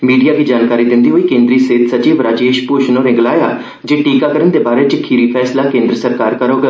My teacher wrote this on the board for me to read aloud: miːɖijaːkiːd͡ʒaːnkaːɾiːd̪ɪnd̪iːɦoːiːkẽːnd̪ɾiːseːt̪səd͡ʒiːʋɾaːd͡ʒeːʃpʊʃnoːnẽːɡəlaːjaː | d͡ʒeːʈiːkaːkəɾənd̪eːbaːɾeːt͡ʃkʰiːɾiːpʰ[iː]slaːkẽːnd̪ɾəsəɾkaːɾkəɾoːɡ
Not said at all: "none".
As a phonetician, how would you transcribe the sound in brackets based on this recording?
ɛː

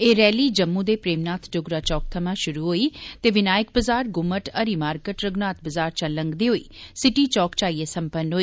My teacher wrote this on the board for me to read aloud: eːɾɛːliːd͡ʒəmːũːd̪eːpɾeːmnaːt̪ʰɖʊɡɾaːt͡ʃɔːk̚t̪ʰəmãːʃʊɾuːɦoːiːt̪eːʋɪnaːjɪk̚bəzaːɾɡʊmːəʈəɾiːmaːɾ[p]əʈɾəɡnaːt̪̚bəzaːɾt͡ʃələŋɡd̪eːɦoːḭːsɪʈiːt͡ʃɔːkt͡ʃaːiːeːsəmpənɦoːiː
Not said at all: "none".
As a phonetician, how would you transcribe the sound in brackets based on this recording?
k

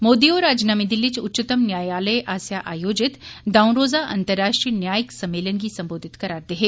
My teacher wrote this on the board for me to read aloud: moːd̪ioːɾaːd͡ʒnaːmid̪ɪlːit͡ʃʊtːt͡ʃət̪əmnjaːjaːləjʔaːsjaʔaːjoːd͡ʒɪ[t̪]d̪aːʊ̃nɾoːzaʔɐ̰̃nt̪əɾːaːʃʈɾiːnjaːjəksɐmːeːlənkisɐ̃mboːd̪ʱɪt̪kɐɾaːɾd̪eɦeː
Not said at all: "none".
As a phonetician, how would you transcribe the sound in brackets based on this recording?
t̪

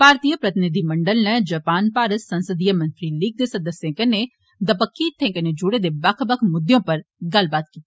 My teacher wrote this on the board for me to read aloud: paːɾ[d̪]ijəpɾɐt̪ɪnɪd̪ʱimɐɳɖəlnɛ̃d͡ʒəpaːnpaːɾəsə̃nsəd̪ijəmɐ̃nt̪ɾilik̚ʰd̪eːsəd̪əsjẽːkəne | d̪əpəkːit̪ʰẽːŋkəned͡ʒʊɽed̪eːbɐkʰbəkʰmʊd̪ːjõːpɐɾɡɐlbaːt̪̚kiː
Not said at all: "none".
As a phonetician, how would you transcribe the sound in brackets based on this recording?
t̪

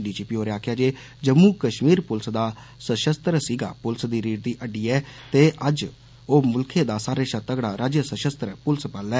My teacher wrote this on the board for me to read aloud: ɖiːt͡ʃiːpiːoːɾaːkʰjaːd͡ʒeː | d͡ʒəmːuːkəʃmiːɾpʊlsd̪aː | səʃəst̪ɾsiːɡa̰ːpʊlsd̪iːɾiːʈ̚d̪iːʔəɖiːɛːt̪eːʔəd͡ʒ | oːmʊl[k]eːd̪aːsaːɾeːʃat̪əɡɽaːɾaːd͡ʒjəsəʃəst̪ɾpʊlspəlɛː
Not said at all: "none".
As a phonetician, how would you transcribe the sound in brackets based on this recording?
kʰ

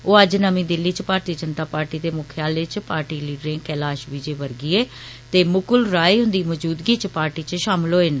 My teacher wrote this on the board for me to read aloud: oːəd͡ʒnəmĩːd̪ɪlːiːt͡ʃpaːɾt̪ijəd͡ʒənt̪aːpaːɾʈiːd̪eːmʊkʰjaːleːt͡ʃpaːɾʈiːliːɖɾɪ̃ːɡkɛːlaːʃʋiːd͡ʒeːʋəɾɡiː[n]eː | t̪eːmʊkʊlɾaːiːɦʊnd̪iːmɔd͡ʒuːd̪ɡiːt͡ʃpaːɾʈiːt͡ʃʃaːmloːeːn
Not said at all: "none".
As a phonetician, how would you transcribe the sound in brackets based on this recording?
none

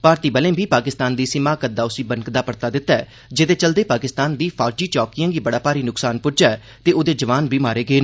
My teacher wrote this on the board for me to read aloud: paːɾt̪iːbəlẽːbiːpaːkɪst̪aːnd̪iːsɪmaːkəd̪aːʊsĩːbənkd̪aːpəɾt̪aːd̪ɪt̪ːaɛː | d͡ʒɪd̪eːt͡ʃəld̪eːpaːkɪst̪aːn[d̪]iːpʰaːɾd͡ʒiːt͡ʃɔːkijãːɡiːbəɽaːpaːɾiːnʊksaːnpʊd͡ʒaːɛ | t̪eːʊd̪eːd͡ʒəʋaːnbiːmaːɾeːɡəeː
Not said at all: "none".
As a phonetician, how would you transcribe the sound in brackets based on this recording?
d̪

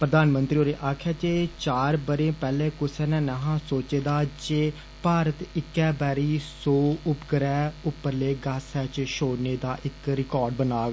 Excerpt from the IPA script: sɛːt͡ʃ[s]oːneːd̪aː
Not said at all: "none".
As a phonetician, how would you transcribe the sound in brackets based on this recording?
ʃ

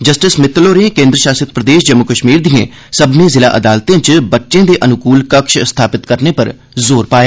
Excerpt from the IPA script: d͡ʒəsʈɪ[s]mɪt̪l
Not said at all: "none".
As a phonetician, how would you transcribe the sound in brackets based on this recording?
s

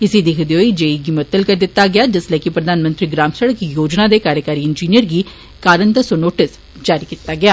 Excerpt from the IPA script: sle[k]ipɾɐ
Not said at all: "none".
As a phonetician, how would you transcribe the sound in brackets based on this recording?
k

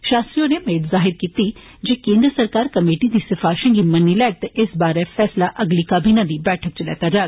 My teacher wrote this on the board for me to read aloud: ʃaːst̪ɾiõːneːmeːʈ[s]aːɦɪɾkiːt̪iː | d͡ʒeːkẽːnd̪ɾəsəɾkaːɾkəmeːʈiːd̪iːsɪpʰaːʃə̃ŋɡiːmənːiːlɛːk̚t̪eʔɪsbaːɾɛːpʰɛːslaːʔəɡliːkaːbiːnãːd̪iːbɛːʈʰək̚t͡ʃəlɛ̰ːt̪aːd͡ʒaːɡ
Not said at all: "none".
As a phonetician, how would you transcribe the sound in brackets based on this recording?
z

